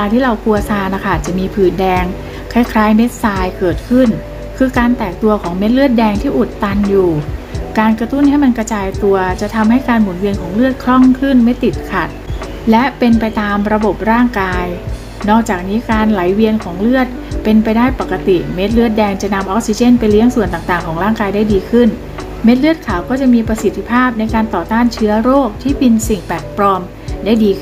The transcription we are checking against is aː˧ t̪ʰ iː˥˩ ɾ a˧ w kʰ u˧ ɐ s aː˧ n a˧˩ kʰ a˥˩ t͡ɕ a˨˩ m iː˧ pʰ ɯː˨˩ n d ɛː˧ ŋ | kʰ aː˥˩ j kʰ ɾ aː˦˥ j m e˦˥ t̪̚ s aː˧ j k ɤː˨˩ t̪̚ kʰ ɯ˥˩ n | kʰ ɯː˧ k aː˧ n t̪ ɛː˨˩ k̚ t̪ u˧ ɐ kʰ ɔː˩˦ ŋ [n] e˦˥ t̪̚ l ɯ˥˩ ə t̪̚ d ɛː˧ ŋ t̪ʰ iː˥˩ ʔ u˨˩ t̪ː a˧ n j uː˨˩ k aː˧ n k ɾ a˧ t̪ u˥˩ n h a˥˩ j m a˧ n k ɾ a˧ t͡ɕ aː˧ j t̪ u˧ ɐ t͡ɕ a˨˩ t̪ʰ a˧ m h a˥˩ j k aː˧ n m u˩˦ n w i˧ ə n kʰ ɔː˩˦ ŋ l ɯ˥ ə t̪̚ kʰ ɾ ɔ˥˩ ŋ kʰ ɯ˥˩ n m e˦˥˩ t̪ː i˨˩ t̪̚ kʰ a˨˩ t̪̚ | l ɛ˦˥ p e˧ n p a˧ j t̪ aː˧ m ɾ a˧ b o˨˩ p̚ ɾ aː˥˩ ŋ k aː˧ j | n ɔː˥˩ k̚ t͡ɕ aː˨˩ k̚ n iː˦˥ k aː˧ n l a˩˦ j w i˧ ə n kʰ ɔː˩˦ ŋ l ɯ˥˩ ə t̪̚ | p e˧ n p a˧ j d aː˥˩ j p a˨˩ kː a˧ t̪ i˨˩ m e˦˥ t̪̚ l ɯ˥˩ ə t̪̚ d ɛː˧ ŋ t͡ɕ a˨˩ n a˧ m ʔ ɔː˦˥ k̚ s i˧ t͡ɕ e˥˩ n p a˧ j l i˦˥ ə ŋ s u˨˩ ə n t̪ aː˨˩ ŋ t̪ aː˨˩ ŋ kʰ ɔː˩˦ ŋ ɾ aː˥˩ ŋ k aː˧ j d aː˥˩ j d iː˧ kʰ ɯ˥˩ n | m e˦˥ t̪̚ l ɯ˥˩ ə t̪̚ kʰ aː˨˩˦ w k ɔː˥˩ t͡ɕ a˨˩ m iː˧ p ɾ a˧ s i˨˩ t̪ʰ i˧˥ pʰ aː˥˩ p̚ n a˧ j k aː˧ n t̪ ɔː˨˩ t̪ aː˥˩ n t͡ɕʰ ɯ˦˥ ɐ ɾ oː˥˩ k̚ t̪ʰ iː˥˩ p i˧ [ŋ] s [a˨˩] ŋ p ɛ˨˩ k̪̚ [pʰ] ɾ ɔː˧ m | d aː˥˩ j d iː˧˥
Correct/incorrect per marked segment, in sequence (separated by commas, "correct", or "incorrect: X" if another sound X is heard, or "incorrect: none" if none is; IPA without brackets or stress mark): incorrect: m, incorrect: n, incorrect: i˨˩, incorrect: p